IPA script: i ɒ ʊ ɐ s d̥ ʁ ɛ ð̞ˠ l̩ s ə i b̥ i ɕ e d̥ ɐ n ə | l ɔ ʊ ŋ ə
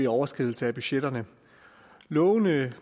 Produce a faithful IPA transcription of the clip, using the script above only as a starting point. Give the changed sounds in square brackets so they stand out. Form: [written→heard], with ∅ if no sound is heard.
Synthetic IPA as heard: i ɒ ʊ ɐ s [d̥→ɡ̥] ʁ [ɛ→i] ð̞ˠ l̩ s ə [i→æ] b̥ [i→y] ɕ e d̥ ɐ n ə | l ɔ ʊ [ŋ→n] ə